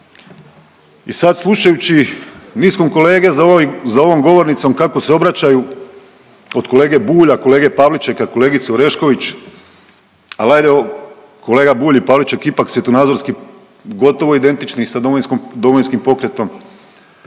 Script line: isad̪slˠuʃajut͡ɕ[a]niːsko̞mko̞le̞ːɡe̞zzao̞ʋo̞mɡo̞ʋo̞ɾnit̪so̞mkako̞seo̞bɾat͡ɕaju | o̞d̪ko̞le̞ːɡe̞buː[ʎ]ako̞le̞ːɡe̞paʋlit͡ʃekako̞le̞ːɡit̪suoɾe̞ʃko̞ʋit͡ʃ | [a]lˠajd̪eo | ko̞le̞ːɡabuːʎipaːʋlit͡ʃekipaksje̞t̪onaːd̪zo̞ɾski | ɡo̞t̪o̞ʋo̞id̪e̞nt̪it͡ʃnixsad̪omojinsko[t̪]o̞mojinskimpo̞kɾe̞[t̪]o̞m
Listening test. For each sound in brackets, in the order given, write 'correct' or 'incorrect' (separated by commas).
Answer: incorrect, correct, correct, incorrect, correct